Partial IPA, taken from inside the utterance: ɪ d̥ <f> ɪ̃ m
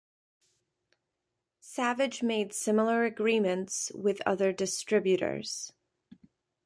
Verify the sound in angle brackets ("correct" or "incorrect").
incorrect